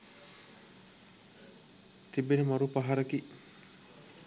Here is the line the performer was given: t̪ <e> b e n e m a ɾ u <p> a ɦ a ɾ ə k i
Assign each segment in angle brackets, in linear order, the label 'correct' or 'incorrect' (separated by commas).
incorrect, correct